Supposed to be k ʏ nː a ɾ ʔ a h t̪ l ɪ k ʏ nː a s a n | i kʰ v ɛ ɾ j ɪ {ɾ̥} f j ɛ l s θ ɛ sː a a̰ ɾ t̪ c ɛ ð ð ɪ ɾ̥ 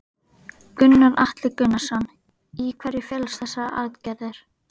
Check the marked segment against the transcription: incorrect: none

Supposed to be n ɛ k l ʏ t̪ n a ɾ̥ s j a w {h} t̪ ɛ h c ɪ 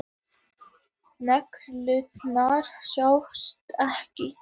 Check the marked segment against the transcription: incorrect: s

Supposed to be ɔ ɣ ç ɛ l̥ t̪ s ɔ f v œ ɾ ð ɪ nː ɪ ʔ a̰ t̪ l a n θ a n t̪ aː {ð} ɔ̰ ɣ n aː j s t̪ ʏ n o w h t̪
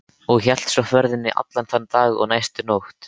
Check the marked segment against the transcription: incorrect: ɣ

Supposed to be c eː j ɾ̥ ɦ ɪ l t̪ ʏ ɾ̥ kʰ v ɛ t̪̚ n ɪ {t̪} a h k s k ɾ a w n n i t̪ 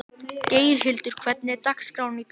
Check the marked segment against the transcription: correct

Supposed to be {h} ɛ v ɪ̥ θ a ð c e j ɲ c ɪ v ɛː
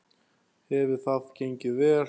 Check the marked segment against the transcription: correct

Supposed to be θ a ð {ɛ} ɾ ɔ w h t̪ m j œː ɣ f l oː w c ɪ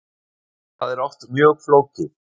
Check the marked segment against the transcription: correct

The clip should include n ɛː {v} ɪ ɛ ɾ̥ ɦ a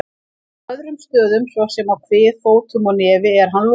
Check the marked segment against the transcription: correct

